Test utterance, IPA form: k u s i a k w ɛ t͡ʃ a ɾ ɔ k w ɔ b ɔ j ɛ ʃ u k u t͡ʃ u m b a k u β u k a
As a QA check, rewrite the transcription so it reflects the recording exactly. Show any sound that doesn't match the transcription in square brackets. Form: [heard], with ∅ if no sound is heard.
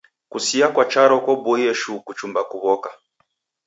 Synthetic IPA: k u s i a k w [a] t͡ʃ a ɾ ɔ k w ɔ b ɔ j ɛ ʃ u k u t͡ʃ u m b a k u β [ɔ] k a